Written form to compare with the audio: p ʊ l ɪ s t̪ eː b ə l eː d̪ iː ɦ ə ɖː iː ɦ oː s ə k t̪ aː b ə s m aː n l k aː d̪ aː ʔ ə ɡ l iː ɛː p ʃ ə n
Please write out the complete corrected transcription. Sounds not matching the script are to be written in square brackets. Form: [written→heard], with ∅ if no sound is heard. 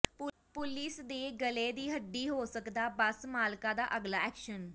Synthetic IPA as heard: p ʊ l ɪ s [t̪→d̪] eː [b→ɡ] ə l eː d̪ iː ɦ ə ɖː iː ɦ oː s ə k [t̪→d̪] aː b ə s m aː [n→∅] l k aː d̪ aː ʔ ə ɡ l [iː→aː] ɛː [p→k] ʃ ə n